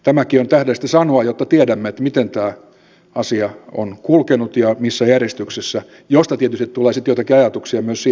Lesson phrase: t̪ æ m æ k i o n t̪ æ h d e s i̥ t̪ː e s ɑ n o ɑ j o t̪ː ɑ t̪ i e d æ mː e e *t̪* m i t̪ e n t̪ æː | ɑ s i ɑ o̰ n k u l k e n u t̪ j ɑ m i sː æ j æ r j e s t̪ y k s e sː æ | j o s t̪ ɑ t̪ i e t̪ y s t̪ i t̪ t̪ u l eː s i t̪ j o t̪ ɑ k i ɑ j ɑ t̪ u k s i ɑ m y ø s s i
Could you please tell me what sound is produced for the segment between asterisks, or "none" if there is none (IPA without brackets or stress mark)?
t̪